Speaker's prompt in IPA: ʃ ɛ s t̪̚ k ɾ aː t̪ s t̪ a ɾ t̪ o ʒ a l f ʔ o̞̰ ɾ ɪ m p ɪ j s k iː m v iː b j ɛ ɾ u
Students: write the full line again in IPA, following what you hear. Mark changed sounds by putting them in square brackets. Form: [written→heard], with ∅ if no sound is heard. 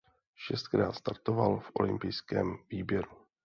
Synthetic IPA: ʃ ɛ s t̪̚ k ɾ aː t̪ s t̪ a ɾ t̪ o [ʒ→v] a l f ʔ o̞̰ [ɾ→l] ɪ m p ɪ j s k [iː→ɛː] m v iː b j ɛ ɾ u